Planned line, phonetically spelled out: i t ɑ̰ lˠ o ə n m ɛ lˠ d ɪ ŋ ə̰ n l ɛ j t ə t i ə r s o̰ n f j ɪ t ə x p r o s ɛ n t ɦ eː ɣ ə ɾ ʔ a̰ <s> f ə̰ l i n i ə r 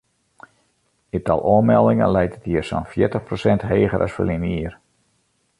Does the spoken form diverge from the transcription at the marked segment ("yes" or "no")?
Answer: no